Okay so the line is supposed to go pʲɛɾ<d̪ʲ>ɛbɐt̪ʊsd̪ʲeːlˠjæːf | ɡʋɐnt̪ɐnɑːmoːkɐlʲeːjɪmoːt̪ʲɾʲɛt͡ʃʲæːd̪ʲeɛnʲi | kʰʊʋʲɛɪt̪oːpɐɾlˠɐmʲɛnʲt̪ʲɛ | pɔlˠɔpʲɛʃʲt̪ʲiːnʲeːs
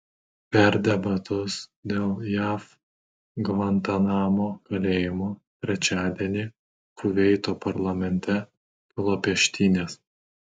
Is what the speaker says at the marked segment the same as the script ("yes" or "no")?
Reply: yes